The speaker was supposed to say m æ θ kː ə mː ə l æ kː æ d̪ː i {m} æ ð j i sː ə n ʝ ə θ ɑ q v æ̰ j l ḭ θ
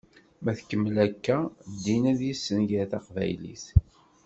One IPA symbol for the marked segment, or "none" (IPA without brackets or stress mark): n